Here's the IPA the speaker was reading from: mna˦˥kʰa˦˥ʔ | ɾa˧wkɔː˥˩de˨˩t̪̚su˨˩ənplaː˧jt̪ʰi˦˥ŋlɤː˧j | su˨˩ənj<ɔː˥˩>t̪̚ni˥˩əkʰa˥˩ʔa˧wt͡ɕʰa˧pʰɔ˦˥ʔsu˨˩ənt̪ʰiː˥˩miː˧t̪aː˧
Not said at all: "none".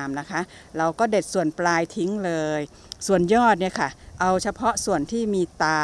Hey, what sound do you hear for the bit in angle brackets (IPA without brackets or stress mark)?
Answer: ɔː˥˩